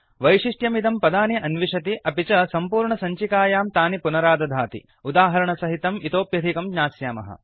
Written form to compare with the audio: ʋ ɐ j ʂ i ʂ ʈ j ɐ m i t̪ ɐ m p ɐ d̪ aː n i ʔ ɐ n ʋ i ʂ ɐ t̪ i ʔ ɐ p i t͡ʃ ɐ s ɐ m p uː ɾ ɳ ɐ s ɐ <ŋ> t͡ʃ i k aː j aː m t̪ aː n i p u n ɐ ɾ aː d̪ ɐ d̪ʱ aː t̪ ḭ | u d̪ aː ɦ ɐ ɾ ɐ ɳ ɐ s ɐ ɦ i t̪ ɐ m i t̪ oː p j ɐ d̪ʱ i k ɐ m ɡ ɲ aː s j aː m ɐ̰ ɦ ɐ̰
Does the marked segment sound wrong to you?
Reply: yes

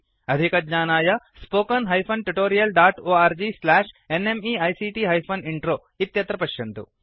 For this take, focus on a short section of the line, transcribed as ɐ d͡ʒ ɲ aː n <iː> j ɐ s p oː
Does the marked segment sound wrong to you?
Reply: yes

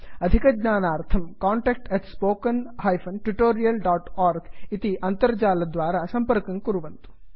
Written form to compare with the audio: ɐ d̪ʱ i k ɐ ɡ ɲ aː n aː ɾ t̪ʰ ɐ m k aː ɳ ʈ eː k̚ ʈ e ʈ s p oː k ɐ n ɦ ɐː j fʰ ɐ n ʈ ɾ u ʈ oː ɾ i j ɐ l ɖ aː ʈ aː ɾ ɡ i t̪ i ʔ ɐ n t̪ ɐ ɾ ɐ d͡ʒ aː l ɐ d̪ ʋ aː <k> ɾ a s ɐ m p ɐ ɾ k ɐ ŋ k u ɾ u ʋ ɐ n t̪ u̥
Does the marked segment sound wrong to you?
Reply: yes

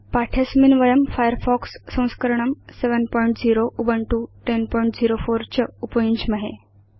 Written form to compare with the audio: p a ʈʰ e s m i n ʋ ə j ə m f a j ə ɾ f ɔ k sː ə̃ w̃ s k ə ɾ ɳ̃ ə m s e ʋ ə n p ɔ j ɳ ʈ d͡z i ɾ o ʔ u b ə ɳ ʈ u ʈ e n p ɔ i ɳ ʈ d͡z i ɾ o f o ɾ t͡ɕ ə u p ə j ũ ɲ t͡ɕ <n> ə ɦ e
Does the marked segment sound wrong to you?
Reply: yes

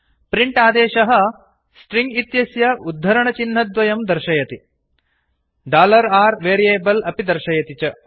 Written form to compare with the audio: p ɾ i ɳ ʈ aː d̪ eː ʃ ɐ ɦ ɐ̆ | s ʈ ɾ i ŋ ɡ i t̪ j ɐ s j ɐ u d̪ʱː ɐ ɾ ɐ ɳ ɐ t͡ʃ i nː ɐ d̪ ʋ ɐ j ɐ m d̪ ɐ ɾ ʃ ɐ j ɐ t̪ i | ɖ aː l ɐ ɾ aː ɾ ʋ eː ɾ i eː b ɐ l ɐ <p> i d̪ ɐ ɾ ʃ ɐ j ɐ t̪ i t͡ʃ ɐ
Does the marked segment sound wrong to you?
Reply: no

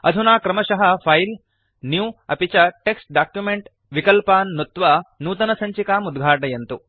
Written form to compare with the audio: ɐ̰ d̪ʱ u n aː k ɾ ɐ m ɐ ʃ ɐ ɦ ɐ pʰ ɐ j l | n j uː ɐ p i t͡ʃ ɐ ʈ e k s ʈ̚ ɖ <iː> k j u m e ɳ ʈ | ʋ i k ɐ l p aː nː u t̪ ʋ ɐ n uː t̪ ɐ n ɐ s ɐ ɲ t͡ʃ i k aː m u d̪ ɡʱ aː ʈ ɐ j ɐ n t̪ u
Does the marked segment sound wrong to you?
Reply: yes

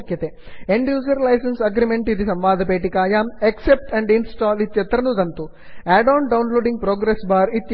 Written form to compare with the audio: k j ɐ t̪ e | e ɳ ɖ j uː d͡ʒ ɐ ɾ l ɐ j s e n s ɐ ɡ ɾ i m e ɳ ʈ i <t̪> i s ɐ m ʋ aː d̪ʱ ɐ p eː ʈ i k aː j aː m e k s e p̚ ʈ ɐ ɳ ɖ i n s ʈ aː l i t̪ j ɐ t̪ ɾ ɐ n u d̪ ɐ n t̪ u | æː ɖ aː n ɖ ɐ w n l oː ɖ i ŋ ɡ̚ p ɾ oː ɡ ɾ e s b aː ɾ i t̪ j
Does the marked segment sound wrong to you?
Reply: yes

